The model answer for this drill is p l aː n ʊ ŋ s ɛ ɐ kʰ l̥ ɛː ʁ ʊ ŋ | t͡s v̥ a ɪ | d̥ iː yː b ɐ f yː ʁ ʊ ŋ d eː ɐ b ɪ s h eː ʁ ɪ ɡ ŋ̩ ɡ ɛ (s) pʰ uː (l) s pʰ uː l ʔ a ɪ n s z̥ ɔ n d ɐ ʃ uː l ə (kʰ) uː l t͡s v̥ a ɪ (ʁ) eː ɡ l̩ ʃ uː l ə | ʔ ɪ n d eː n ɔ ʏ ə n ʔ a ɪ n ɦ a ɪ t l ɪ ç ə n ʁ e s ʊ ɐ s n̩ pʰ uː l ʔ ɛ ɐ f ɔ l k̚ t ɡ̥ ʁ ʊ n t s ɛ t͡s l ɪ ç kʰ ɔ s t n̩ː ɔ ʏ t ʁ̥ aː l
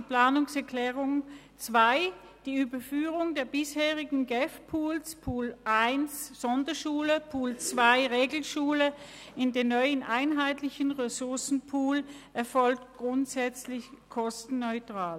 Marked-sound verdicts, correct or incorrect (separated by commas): incorrect, correct, incorrect, correct